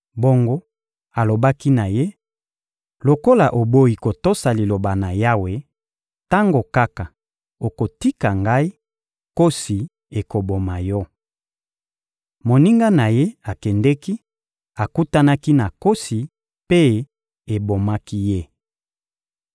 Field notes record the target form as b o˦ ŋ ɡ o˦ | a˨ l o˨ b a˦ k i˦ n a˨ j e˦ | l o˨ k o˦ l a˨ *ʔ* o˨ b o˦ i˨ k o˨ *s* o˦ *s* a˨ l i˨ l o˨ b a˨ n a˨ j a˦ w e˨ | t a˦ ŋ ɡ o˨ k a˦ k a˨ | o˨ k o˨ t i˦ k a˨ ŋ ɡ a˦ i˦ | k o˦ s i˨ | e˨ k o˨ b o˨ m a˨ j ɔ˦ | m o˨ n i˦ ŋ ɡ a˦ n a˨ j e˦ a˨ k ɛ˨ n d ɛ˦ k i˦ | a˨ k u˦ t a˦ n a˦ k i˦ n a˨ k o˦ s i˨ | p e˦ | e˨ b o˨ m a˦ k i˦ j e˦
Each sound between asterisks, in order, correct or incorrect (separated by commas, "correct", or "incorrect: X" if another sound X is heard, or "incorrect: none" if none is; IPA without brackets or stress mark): correct, incorrect: t, correct